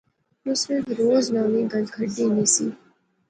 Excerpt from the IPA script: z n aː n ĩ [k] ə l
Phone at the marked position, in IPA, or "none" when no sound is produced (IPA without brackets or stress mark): ɡ